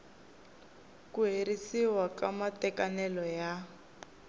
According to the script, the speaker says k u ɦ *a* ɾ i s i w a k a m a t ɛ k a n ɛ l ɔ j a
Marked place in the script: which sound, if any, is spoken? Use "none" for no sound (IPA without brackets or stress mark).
e